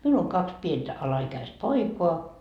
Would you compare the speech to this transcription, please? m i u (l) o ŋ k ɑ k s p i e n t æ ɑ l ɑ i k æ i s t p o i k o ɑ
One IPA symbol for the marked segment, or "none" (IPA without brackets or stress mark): l